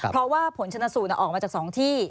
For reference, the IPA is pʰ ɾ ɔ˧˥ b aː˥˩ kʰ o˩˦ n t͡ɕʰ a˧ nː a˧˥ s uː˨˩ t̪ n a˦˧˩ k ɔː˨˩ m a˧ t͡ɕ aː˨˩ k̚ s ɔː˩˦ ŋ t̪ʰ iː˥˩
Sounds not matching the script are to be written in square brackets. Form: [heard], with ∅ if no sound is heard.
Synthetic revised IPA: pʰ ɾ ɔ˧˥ [w] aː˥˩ [pʰ] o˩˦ n t͡ɕʰ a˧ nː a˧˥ s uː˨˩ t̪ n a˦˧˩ [ʔ] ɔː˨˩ m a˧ t͡ɕ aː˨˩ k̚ s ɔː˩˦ ŋ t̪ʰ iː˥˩